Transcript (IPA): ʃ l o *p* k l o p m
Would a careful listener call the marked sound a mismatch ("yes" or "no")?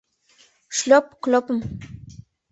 no